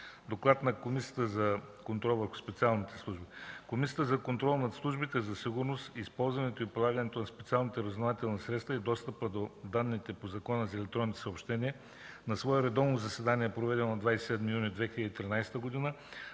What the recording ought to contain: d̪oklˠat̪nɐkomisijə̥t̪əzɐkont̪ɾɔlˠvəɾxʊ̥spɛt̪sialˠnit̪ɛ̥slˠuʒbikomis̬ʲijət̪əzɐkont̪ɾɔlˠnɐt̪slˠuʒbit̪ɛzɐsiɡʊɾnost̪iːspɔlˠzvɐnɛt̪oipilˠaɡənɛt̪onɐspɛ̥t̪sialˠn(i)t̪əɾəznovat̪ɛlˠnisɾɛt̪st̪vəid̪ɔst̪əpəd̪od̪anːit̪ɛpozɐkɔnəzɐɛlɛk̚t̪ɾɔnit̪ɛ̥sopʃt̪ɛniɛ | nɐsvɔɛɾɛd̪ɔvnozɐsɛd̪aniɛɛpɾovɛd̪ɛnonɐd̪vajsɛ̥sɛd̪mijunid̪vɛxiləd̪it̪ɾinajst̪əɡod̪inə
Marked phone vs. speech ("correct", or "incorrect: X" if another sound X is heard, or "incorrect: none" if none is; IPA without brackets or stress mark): correct